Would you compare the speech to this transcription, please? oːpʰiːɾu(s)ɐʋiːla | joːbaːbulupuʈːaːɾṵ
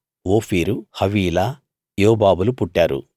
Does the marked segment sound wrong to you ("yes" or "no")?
yes